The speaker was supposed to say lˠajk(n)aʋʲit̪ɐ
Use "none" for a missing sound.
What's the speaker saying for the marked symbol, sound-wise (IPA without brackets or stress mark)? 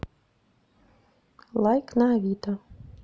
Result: n